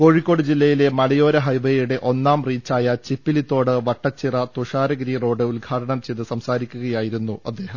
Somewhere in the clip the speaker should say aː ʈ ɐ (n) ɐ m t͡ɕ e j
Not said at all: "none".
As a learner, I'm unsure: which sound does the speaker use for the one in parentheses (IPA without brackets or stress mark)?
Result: ɳ